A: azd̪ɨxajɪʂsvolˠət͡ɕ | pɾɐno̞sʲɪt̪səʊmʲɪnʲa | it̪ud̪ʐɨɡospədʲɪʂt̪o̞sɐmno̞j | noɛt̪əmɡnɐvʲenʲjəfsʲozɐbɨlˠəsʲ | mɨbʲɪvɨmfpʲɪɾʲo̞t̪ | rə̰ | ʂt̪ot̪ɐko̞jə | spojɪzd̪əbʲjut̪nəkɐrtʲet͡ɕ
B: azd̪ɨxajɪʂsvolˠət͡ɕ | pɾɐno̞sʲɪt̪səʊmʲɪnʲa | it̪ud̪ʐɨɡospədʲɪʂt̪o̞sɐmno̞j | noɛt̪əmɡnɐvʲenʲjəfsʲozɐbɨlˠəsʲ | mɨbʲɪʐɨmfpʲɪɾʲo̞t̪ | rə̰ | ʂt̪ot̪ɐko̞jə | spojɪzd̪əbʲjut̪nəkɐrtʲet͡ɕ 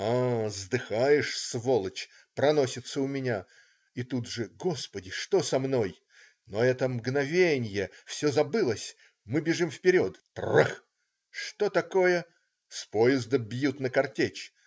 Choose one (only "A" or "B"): B